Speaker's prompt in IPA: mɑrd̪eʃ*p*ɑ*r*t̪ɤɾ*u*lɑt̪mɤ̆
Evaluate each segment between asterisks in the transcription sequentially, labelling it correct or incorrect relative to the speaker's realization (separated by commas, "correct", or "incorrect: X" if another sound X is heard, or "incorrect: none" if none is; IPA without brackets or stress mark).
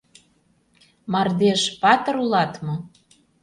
correct, incorrect: none, correct